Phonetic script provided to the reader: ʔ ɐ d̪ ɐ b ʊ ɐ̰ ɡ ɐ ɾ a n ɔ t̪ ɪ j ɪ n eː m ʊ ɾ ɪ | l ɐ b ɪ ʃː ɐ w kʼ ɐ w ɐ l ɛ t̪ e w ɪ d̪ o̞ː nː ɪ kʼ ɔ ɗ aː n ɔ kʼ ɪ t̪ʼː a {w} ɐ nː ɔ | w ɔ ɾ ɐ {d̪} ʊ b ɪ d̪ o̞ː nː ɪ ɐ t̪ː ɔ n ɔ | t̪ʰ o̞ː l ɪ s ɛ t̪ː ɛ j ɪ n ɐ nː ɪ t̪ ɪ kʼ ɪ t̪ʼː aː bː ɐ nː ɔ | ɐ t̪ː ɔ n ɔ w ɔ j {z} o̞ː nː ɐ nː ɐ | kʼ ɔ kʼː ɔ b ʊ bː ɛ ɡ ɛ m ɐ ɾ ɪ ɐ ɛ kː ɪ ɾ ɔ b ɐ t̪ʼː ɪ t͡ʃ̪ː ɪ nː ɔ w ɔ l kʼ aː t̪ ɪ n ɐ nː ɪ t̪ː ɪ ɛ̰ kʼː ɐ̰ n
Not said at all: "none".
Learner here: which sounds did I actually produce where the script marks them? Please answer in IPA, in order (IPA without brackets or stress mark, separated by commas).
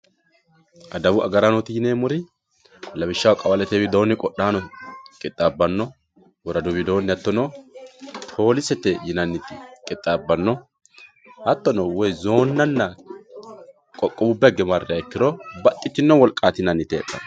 b, d̪, z